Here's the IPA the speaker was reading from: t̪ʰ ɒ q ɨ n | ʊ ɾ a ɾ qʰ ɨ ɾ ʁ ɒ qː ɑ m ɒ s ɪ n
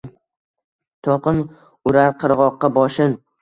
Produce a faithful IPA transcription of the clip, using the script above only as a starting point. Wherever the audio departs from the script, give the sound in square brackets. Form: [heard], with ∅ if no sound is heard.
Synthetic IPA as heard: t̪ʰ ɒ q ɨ n | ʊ ɾ a ɾ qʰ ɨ ɾ ʁ ɒ qː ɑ [b] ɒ [ʃ] ɪ n